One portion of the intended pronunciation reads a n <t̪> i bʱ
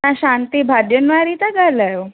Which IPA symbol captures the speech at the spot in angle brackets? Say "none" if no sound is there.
t̪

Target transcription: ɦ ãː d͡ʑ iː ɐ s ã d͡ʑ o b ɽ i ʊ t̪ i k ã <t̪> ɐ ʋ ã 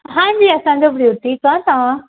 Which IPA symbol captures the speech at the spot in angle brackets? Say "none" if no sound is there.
t̪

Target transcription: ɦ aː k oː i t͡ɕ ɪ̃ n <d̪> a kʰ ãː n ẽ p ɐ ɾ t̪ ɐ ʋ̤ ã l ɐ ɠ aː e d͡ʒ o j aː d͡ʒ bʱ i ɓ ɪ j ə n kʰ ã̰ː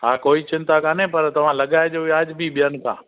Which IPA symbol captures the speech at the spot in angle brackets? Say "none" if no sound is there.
t̪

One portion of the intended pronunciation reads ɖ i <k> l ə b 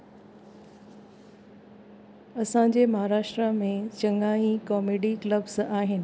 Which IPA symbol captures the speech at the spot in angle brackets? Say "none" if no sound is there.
k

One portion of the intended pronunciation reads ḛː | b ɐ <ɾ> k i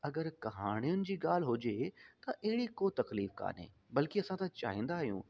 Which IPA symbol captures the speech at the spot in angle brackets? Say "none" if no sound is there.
l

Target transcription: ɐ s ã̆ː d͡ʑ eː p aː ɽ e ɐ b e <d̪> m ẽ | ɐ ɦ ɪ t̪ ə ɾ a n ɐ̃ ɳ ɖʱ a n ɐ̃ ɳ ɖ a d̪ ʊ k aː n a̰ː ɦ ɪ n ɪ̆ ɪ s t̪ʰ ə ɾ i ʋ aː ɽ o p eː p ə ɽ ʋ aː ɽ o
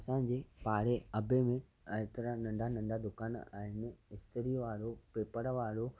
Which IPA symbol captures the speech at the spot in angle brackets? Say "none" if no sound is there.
none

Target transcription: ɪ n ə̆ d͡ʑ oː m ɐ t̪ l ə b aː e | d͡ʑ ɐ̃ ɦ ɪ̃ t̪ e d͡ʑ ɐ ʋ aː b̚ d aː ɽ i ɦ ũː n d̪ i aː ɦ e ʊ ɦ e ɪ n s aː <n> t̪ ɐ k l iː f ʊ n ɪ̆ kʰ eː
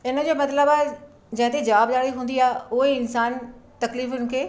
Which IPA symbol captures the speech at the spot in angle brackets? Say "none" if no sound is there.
n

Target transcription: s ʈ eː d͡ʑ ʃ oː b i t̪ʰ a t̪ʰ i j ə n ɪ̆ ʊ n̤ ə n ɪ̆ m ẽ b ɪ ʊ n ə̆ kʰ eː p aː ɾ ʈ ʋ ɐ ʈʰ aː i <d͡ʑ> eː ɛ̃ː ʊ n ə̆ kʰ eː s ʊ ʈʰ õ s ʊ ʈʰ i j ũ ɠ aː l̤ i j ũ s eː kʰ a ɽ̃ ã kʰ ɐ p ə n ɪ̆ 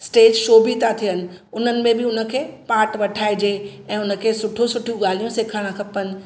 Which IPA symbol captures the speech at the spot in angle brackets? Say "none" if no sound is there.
d͡ʑ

